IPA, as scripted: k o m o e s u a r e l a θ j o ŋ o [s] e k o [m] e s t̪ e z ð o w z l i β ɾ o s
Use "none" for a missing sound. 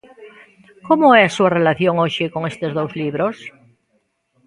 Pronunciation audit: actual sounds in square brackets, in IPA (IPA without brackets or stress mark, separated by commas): ʃ, ŋ